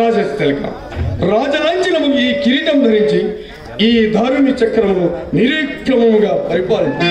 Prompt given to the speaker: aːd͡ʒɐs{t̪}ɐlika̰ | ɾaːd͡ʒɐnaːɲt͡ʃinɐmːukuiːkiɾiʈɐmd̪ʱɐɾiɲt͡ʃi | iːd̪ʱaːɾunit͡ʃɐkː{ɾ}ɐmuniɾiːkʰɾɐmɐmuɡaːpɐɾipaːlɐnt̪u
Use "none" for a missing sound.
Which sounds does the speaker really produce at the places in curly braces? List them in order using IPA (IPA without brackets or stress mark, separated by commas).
t̪, ɾ